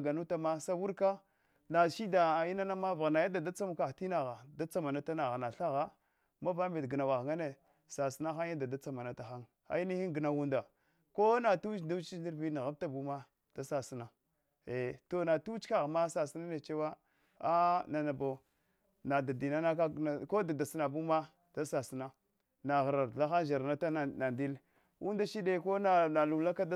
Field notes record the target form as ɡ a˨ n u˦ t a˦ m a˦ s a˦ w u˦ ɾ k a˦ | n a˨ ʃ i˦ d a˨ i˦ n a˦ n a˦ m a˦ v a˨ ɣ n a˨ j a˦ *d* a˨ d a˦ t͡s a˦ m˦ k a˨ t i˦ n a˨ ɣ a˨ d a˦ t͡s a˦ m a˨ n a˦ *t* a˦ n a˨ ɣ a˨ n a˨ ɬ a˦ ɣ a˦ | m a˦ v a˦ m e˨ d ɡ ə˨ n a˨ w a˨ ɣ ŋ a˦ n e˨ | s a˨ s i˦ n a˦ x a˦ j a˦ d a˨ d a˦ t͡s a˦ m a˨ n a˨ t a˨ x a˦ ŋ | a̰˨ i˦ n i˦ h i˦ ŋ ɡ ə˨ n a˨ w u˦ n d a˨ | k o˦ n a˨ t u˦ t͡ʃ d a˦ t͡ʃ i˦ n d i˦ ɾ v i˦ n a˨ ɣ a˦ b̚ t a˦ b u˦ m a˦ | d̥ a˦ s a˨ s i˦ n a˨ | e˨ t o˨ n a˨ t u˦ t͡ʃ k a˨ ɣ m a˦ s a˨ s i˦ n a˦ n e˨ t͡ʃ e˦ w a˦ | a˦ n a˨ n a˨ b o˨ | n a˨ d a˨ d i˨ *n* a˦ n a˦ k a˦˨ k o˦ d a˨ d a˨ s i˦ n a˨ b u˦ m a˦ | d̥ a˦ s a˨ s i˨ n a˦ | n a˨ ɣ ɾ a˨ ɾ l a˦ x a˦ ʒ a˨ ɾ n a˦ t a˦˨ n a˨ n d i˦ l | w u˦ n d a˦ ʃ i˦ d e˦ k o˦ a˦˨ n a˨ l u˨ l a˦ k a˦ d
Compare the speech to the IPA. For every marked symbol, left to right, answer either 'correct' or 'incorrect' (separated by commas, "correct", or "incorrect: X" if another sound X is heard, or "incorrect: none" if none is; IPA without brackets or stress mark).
correct, correct, correct